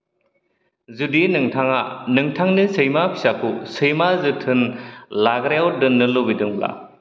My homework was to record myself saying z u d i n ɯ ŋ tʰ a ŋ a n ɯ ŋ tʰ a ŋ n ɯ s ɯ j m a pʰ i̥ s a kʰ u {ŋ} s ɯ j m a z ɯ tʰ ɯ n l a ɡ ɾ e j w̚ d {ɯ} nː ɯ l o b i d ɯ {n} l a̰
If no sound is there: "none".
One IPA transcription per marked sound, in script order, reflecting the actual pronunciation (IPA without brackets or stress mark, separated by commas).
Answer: none, ɯ, ŋ